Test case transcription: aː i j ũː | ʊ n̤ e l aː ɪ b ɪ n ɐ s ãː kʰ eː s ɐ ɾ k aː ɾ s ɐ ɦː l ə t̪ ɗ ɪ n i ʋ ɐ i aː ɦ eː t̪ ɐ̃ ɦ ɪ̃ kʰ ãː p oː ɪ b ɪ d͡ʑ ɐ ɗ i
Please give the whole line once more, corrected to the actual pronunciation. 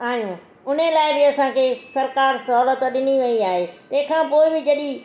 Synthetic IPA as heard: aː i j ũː | ʊ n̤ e l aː ɪ b ɪ ɐ s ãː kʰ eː s ɐ ɾ k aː ɾ s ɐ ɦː l ə t̪ ɗ ɪ n i ʋ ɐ i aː ɦ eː t̪ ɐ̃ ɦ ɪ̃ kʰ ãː p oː ɪ b ɪ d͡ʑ ɐ ɗ i